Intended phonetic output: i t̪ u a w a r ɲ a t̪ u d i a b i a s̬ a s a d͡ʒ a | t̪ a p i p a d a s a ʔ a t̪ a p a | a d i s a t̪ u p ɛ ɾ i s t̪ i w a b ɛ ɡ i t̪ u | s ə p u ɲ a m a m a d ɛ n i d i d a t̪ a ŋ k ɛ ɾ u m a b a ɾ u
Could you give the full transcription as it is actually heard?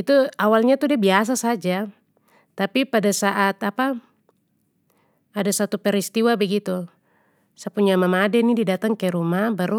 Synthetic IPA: i t̪ u a w a l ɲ a t̪ u d i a b i a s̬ a s a d͡ʒ a | t̪ a p i p a d a s a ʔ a t̪ a p a | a d a s a t̪ u p ɛ ɾ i s t̪ i w a b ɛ ɡ i t̪ u | s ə p u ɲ a m a m a d ɛ n i d i d a t̪ a ŋ k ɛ ɾ u m a b a ɾ u